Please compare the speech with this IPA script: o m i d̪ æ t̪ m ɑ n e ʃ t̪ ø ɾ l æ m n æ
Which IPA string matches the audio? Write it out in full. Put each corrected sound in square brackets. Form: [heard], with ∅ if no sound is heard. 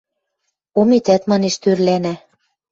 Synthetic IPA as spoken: o m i [t̪] æ t̪ m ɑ n e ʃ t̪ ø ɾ l æ [∅] n æ